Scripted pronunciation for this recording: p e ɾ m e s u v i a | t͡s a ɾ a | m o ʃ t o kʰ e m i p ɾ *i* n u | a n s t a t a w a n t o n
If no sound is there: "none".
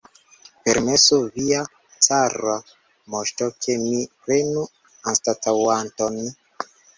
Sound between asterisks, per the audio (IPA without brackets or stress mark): e